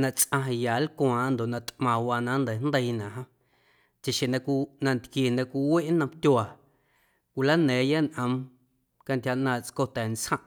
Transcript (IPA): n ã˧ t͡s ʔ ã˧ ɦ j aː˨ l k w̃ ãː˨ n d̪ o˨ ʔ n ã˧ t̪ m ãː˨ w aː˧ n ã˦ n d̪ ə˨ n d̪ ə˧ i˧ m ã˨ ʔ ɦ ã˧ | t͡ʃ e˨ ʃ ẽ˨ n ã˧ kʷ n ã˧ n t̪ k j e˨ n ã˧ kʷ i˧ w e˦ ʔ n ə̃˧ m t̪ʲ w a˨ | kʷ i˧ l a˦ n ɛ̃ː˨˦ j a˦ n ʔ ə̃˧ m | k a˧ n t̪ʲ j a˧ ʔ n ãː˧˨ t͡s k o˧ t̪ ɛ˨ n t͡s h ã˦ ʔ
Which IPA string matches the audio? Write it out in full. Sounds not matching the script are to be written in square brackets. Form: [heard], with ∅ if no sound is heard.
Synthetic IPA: n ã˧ t͡s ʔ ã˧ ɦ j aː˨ l k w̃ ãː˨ n d̪ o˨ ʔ n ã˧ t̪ m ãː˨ w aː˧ n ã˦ n d̪ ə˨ n d̪ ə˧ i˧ [n] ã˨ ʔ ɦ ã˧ | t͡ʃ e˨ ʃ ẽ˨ n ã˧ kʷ n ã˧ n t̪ k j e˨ n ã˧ kʷ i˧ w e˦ ʔ n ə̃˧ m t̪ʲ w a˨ | kʷ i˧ l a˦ n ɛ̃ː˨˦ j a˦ n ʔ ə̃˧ m | k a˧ n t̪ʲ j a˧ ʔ n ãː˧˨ t͡s k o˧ t̪ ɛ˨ n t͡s h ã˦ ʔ